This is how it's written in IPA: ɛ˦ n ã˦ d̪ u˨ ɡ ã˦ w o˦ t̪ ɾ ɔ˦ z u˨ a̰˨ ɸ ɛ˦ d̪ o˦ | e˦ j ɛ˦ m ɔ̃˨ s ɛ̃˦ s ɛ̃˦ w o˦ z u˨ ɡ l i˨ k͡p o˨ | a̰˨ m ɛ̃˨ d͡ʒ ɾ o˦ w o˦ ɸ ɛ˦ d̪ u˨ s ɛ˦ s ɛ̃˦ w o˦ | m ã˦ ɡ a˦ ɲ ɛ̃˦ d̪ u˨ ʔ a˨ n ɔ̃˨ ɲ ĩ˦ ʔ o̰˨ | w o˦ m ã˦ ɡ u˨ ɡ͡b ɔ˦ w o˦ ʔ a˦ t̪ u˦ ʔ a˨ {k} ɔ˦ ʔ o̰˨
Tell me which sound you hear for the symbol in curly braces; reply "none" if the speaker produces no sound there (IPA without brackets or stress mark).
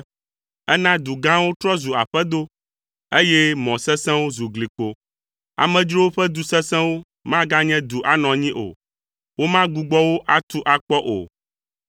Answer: k͡p